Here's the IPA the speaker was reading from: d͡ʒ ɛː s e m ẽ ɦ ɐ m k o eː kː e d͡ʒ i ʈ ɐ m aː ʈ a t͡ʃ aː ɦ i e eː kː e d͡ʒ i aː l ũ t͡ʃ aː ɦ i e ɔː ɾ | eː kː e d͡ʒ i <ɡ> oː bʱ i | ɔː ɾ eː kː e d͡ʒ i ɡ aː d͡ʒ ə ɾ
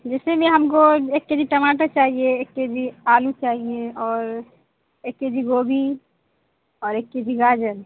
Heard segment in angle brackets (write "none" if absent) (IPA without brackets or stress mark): ɡ